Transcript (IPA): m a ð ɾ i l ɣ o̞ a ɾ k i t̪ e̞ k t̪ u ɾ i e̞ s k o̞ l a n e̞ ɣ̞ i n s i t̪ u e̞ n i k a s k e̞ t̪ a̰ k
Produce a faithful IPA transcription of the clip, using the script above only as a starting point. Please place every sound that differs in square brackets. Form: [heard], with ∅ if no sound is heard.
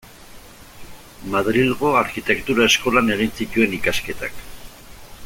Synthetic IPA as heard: m a ð ɾ i l ɣ o̞ a ɾ k i t̪ e̞ k t̪ u ɾ [a] e̞ s k o̞ l a n e̞ ɣ̞ i n s i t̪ u e̞ n i k a s k e̞ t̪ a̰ k